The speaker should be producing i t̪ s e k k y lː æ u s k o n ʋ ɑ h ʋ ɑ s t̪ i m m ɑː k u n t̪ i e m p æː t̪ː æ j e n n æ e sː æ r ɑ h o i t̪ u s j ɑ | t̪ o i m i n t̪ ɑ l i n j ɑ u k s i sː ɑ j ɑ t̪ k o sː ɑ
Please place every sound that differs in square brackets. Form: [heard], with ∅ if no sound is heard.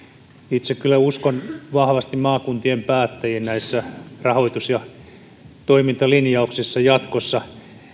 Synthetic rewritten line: i t̪ s e k k y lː æ u s k o n ʋ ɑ h ʋ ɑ s t̪ i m m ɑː k u n t̪ i e m p æː t̪ː æ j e n n æ [i] sː æ r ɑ h o i t̪ u s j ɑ | t̪ o i m i n t̪ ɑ l i n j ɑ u k s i sː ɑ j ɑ t̪ k o sː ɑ